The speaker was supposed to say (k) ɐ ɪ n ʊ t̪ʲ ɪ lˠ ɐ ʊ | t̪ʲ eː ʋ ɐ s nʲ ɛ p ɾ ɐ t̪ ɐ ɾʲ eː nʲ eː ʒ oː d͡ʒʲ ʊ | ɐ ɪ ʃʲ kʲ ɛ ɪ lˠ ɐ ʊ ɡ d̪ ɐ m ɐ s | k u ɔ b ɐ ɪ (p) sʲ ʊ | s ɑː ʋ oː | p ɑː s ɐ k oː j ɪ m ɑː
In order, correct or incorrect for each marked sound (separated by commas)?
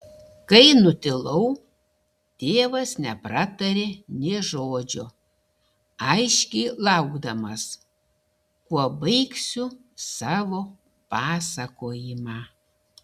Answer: correct, incorrect